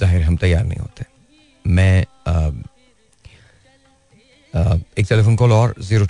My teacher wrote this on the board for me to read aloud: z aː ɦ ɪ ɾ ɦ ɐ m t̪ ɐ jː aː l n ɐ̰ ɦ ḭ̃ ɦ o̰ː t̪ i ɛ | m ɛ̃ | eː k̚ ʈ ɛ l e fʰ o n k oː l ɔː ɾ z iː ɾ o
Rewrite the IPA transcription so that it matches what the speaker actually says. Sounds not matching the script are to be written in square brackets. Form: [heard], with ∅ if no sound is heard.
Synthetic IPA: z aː ɦ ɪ ɾ ɦ ɐ m t̪ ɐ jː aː [ɾ] n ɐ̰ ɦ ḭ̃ ɦ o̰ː t̪ [e] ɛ | m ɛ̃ | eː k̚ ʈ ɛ l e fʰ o n k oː l ɔː ɾ z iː ɾ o